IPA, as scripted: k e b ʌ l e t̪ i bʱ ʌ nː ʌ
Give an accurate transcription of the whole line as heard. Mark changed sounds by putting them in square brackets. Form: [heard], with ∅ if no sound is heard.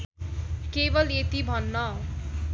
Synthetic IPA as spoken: k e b ʌ l e t̪ i bʱ ʌ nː ʌ